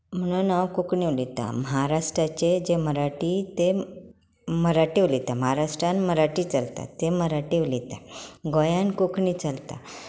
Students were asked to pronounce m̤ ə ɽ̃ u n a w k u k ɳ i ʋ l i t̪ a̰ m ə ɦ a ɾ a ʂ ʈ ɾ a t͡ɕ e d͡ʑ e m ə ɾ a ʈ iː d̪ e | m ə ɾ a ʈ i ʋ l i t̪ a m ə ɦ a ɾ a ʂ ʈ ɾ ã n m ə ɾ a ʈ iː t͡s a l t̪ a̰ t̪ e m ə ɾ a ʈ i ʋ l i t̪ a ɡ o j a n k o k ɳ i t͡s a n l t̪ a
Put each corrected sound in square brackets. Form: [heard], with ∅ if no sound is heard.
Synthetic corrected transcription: m̤ ə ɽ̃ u n a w k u k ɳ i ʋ l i t̪ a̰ m ə ɦ a ɾ a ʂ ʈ ɾ a t͡ɕ e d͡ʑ e m ə ɾ a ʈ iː [t̪] e | m ə ɾ a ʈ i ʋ l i t̪ a m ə ɦ a ɾ a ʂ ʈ ɾ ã n m ə ɾ a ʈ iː t͡s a l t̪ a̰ t̪ e m ə ɾ a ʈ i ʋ l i t̪ a ɡ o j a n k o k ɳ i t͡s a [∅] l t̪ a

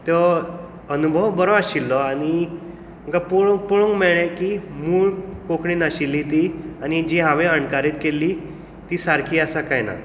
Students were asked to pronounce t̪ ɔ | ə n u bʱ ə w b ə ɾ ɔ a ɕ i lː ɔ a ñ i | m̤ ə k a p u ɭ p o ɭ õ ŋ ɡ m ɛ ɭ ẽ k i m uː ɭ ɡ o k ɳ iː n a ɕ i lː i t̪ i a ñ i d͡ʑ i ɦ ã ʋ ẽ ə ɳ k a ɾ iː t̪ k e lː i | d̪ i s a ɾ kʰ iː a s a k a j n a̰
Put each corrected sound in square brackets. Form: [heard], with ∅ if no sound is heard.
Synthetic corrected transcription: t̪ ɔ | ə n u bʱ ə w b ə ɾ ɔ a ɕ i lː ɔ a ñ i | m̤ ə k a p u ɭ p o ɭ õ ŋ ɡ m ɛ ɭ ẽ k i m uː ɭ [k] o k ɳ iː n a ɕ i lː i t̪ i a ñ i d͡ʑ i ɦ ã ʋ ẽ ə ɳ k a ɾ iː t̪ k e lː i | [t̪] i s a ɾ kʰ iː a s a k a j n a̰

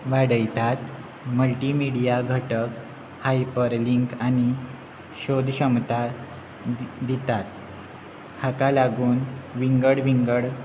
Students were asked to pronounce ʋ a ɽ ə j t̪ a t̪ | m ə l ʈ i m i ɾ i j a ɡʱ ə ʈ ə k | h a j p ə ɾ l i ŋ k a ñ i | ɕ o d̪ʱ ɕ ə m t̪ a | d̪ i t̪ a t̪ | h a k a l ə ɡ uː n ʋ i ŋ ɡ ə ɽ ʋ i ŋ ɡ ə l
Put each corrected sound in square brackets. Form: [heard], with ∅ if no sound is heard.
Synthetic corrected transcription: ʋ a ɽ ə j t̪ a t̪ | m ə l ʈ i m i [ɽ] i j a ɡʱ ə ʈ ə k | h a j p ə ɾ l i ŋ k a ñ i | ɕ o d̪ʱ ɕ ə m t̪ a | d̪ i t̪ a t̪ | h a k a l [a] ɡ uː n ʋ i ŋ ɡ ə ɽ ʋ i ŋ ɡ ə [ɽ]

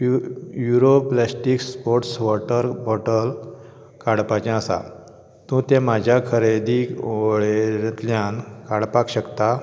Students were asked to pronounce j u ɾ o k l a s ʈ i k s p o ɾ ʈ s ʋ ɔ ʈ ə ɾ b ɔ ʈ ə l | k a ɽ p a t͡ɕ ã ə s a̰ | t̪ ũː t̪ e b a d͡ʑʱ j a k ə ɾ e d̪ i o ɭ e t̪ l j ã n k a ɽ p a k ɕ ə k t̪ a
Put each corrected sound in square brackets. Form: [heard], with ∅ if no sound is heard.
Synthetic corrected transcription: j u ɾ o [p] l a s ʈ i k s p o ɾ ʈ s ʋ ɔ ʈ ə ɾ b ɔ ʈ ə l | k a ɽ p a t͡ɕ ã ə s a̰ | t̪ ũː t̪ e [m] a d͡ʑʱ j a [kʰ] ə ɾ e d̪ i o ɭ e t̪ l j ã n k a ɽ p a k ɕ ə k t̪ a

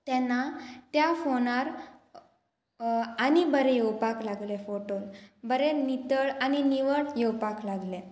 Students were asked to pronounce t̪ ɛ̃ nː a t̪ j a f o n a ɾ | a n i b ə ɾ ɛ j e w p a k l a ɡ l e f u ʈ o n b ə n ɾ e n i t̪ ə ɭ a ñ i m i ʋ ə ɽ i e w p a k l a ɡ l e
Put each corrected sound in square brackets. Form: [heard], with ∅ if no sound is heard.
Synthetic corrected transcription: t̪ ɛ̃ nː a t̪ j a f o n a ɾ | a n i b ə ɾ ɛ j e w p a k l a ɡ l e f [o] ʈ o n b ə [∅] ɾ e n i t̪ ə ɭ a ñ i [n] i ʋ ə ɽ [j] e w p a k l a ɡ l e

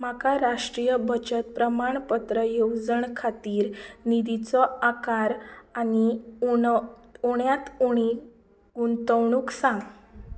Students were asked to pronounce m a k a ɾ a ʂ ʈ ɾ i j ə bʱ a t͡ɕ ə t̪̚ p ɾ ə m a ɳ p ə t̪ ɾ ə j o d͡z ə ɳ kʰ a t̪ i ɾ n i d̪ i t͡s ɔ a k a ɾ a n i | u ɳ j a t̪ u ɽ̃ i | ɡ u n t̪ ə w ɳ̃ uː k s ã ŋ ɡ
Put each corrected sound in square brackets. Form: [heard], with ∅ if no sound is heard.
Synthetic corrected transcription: m a k a ɾ a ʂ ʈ ɾ i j ə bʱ [ə] t͡ɕ ə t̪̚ p ɾ ə m a ɳ p ə t̪ ɾ ə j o d͡z ə ɳ kʰ a t̪ [iː] ɾ n i d̪ i t͡s ɔ a k a ɾ a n i | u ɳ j a t̪ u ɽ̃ i | ɡ u n t̪ ə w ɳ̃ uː k s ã ŋ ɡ

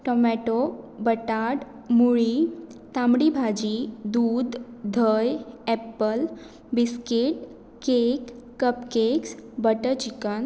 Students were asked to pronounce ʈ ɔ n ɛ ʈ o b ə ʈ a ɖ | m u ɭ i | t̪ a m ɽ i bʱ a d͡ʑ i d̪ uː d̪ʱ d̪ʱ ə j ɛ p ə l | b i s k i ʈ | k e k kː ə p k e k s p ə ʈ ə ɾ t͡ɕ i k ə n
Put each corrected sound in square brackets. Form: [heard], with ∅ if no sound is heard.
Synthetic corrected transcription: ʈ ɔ [m] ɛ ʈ o b ə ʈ a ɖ | m u ɭ i | t̪ a m ɽ i bʱ a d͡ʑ i d̪ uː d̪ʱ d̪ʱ ə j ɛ p ə l | b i s k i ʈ | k e k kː ə p k e k s [b] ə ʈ ə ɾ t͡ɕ i k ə n

